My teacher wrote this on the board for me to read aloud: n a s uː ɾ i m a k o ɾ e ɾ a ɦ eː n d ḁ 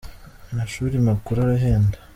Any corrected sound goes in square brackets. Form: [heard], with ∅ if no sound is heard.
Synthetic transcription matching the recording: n a [ʃ] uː ɾ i m a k [u] ɾ [a] ɾ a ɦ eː n d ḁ